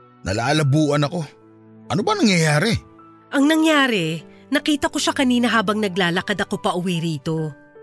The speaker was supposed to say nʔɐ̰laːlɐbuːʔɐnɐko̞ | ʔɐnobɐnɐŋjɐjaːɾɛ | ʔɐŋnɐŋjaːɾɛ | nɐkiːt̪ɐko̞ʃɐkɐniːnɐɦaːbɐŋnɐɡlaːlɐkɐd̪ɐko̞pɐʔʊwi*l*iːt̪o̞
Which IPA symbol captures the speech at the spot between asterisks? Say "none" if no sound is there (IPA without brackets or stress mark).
ɾ